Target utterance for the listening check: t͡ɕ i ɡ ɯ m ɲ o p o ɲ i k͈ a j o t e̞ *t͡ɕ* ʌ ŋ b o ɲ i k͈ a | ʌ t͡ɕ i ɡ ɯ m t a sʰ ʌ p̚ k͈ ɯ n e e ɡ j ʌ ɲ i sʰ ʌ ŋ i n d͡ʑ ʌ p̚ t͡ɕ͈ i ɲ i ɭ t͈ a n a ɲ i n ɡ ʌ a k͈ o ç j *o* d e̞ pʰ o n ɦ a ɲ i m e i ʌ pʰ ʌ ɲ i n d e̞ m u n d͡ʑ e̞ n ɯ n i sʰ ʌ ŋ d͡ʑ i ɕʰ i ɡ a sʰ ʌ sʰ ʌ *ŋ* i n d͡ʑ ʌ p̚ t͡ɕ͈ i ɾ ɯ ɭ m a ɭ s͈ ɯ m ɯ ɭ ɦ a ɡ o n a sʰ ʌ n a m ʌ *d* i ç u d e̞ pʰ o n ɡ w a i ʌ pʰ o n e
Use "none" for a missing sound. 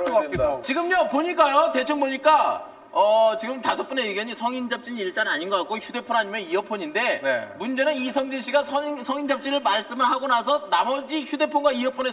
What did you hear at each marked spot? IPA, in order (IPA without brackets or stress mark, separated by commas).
t͡ɕʰ, u, ŋ, d͡ʑ